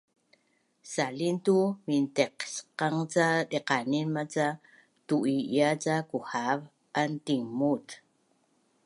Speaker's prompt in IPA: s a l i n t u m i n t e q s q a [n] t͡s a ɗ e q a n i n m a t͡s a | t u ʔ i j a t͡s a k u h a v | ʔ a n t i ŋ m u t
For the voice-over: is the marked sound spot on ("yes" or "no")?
no